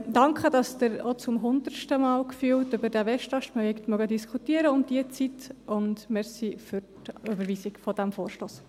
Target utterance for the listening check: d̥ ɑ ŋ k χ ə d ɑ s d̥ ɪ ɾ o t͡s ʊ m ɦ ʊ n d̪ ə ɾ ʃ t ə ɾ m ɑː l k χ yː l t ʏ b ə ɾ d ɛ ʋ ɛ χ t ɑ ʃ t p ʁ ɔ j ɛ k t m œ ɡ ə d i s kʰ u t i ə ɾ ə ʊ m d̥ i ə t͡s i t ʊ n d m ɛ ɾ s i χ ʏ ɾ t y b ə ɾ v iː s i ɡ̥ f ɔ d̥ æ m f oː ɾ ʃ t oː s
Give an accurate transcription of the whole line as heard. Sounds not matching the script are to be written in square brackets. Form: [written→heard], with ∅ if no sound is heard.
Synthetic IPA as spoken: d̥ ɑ ŋ k χ ə d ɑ s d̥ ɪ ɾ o t͡s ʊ m ɦ ʊ n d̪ ə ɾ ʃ t ə [ɾ→∅] m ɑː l k [χ→f] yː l t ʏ b ə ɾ d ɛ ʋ ɛ [χ→ʃ] t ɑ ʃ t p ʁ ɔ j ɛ k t m œ ɡ ə d i s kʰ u t i ə ɾ ə ʊ m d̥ i ə t͡s i t ʊ n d m ɛ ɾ s i [χ→f] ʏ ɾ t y b ə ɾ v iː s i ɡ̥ f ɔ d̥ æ m f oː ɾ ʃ t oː s